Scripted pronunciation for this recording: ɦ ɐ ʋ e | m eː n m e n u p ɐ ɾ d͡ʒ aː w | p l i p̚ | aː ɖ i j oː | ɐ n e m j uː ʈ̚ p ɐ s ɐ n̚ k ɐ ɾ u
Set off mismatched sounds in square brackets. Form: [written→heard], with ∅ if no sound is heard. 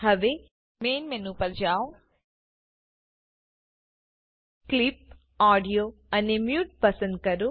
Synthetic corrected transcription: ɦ ɐ ʋ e | m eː n m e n u p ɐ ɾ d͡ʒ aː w | [p→k] l i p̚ | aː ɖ i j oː | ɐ n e m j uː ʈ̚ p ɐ s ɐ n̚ k ɐ ɾ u